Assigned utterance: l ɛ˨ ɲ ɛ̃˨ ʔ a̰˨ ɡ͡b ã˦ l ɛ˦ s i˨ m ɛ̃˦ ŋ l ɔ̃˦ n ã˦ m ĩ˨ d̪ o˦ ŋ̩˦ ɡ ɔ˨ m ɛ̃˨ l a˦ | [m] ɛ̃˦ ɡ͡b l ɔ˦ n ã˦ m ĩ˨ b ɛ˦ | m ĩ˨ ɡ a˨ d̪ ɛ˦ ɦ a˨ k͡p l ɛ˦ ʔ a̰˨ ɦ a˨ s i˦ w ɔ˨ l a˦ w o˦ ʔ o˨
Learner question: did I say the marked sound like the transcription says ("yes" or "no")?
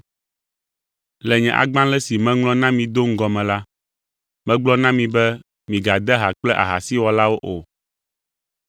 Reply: yes